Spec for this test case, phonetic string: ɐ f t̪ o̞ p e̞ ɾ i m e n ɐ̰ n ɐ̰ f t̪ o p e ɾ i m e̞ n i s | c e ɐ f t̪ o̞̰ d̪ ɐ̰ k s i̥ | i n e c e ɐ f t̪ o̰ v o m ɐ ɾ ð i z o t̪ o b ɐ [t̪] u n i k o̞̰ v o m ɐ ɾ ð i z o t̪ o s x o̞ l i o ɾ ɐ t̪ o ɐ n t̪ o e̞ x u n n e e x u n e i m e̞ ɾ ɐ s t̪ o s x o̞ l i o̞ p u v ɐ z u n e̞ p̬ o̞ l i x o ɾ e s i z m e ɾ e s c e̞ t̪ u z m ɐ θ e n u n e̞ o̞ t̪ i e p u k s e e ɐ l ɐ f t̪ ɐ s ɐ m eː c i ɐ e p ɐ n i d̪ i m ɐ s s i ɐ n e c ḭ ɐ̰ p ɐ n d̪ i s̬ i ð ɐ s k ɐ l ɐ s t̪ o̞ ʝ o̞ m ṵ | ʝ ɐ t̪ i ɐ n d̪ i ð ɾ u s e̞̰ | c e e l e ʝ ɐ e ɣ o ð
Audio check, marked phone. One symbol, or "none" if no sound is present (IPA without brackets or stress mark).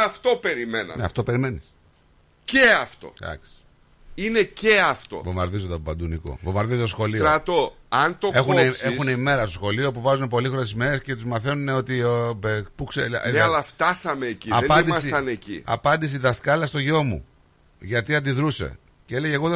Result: d̪